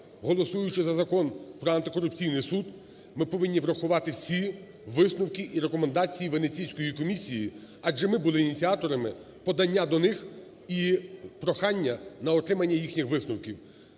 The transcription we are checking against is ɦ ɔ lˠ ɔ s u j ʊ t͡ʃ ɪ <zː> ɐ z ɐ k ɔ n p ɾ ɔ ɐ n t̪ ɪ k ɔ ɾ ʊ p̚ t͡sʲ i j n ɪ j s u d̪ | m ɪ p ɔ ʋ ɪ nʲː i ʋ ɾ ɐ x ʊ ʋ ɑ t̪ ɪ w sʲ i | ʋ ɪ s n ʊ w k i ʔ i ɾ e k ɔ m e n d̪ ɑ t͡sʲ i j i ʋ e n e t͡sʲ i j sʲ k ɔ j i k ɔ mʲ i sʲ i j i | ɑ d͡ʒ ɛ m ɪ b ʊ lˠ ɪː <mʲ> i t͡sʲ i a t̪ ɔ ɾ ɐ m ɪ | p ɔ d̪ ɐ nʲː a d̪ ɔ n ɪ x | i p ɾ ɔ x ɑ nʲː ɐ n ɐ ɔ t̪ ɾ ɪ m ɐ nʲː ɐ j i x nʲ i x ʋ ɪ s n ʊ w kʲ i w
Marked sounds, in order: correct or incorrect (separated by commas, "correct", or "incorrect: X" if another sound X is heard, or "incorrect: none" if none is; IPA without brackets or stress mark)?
incorrect: z, incorrect: nʲ